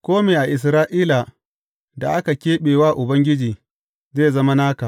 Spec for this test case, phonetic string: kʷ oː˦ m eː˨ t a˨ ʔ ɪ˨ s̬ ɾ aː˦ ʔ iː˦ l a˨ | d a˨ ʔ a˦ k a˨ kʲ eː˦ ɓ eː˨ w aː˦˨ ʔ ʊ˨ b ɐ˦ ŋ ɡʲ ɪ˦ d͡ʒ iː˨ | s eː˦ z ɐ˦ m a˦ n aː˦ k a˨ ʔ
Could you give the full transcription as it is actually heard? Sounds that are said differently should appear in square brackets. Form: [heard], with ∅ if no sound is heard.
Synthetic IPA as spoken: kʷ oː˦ m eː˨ [ʔ] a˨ ʔ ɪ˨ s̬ ɾ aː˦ ʔ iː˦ l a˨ | d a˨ ʔ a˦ k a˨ kʲ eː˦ ɓ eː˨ w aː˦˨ ʔ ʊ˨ b ɐ˦ ŋ ɡʲ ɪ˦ d͡ʒ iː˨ | [z] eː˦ z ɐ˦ m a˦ n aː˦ k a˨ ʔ